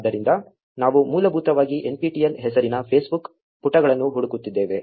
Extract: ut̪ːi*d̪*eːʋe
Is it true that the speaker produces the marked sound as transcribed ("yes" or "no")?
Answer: no